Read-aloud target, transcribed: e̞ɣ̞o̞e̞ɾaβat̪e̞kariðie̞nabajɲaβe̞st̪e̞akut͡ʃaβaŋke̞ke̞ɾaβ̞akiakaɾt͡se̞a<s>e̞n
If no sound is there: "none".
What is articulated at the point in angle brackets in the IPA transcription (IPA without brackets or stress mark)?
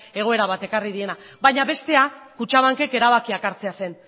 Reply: s